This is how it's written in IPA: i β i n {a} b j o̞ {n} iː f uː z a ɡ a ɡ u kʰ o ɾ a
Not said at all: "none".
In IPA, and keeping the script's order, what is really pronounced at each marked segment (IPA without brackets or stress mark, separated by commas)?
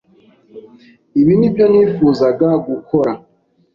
i, n